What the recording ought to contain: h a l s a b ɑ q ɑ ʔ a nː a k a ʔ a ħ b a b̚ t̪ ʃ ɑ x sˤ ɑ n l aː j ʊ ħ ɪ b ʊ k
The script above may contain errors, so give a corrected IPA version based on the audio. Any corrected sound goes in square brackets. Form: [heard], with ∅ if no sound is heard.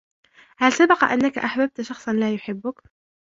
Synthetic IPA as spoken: h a l s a b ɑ q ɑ ʔ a nː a k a ʔ a ħ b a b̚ t̪ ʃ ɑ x sˤ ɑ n l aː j ʊ ħ ɪ [bː] ʊ k